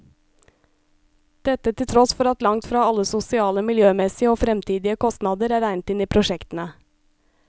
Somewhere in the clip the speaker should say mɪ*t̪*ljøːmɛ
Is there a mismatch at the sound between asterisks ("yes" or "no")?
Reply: yes